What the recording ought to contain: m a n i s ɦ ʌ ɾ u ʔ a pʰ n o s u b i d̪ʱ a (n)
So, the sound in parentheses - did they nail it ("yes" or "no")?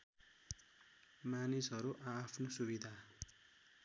no